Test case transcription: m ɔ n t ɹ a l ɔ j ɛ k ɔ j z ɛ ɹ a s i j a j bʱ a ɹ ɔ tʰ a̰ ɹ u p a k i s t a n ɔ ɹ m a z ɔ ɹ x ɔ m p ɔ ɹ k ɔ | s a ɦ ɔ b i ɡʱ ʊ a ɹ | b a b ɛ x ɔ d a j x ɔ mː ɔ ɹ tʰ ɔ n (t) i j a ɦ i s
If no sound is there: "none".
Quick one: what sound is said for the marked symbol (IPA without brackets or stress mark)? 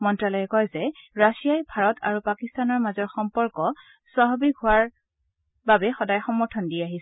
d